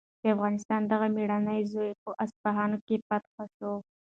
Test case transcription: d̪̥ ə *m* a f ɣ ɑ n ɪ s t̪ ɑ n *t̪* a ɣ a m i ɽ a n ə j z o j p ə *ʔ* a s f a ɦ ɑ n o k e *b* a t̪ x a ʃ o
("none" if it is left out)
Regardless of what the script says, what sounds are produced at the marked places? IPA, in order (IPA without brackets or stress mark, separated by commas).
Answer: none, d̪, ʔ, p